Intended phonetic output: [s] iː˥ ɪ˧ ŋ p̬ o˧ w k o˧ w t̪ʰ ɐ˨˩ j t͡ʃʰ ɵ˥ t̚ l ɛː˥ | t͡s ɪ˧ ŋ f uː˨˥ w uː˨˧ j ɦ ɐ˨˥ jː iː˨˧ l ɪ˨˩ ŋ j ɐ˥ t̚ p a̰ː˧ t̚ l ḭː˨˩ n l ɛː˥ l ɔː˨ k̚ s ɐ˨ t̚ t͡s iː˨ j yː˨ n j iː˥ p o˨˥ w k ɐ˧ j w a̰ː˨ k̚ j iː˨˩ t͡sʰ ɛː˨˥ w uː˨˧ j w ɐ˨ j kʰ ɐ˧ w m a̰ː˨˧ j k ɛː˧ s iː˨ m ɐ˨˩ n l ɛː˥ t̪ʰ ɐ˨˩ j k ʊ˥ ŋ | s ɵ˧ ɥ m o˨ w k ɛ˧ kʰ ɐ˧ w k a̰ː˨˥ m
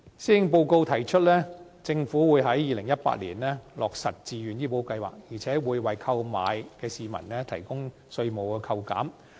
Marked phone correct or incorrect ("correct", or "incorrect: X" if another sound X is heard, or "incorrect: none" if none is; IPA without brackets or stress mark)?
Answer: correct